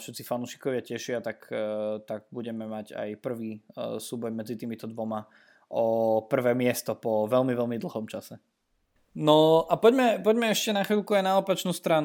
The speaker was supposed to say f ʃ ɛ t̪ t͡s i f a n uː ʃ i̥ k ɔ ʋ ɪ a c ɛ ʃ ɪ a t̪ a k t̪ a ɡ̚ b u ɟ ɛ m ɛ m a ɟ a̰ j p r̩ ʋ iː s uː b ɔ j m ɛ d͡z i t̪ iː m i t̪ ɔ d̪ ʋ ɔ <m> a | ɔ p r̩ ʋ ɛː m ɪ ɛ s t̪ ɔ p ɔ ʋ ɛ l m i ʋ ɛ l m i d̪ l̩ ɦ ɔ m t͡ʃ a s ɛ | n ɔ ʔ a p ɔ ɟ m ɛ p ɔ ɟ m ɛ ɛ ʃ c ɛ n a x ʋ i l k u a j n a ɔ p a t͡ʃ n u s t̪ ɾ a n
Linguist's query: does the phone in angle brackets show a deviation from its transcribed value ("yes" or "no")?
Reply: no